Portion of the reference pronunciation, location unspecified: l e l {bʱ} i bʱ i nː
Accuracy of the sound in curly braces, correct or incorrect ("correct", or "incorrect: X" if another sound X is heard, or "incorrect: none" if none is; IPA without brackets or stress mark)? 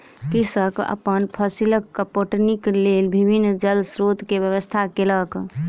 correct